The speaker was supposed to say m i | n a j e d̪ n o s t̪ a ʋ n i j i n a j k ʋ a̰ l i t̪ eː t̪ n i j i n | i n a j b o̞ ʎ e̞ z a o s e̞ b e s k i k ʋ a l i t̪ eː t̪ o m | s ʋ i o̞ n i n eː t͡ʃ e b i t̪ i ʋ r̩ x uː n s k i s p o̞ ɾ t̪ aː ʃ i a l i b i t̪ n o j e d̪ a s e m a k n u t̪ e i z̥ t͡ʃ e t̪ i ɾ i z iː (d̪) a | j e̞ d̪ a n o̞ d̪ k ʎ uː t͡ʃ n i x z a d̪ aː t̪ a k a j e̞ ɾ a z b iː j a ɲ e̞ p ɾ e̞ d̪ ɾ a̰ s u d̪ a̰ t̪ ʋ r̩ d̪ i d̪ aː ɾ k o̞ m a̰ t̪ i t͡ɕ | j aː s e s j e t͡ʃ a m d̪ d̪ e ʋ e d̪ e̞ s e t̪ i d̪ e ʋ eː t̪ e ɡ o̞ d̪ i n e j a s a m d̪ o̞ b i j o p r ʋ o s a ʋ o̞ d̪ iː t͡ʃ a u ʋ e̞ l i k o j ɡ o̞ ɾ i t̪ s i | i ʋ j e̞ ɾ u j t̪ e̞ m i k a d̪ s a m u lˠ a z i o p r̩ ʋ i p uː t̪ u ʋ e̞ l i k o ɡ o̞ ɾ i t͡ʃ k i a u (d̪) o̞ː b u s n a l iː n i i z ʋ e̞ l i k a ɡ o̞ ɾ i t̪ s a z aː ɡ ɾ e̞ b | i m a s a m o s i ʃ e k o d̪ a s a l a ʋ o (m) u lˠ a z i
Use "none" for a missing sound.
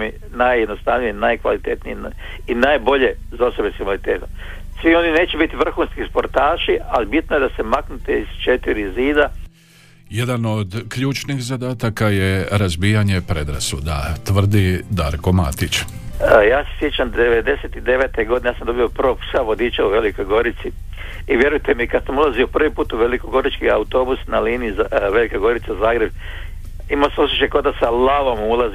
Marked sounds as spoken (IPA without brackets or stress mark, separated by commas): d̪, t̪, m